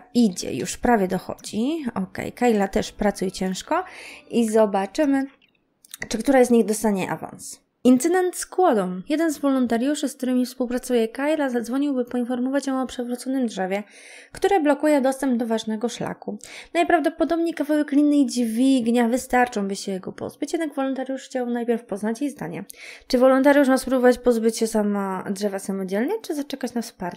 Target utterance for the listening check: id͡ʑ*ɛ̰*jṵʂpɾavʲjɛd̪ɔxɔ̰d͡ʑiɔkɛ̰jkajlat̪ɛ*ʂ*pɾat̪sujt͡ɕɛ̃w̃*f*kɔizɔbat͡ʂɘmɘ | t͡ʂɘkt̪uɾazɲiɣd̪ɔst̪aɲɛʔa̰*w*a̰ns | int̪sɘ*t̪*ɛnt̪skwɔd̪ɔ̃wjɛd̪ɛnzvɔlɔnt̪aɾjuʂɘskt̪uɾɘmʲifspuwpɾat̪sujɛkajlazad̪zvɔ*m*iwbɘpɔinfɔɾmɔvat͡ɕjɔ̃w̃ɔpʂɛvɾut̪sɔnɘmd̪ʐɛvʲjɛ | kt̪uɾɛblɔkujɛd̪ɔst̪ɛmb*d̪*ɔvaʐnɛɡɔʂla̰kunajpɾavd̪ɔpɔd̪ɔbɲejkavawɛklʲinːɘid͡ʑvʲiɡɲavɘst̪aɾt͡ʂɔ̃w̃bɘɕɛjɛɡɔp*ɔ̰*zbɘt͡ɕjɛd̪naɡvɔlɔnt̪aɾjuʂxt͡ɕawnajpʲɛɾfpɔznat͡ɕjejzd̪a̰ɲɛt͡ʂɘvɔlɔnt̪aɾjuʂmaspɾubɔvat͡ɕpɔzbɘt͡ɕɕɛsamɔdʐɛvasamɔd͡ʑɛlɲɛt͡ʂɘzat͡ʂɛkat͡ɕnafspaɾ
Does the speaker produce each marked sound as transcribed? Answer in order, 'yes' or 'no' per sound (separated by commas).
yes, yes, no, no, no, no, yes, yes